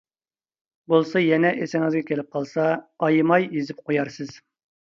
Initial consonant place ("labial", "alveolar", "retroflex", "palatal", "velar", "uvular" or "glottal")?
labial